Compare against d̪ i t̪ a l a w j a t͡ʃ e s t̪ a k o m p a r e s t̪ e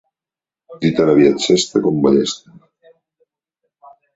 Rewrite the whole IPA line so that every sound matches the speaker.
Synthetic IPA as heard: d̪ i t̪ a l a β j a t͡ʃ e s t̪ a k o m b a ʎ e s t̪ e